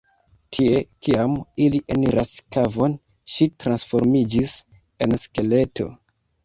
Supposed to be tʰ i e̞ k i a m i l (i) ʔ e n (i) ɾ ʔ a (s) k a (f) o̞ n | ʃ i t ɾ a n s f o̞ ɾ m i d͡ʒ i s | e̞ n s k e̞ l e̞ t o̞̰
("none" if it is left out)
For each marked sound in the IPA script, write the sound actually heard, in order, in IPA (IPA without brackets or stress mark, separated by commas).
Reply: i, i, s, v